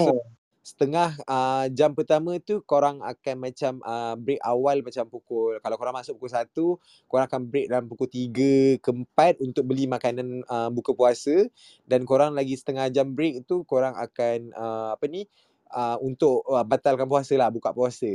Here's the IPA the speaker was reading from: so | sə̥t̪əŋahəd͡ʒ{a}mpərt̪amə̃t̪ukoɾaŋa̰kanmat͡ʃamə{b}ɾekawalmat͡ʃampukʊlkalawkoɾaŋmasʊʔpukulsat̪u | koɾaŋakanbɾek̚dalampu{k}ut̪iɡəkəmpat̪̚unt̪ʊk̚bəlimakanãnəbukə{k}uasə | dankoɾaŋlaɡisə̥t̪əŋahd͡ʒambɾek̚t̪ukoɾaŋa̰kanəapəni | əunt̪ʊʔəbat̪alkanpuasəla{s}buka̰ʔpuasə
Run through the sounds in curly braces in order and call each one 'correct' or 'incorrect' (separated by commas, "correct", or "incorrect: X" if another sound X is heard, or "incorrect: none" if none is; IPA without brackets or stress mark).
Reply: correct, correct, correct, incorrect: p, incorrect: h